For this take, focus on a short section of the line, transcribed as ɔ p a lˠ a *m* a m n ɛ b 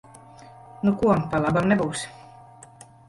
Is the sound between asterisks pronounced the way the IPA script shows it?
no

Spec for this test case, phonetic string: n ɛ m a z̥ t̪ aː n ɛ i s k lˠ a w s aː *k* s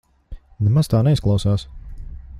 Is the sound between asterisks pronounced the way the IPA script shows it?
no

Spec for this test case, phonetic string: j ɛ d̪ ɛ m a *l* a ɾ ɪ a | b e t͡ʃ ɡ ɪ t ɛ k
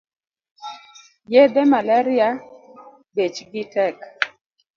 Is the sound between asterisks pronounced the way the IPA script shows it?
yes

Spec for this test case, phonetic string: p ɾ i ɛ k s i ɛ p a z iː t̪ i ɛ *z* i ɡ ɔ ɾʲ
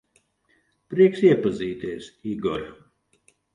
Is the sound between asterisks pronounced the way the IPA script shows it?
no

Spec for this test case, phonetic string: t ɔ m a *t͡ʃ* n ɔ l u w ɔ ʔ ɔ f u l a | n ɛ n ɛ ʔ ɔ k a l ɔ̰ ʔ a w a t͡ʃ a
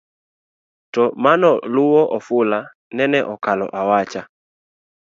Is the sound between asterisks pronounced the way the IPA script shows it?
no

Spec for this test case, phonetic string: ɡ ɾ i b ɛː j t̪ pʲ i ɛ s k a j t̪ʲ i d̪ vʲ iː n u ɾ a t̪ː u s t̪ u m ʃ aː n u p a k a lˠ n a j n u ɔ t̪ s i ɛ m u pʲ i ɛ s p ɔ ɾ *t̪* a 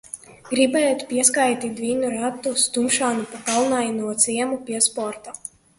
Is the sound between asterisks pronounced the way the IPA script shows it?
yes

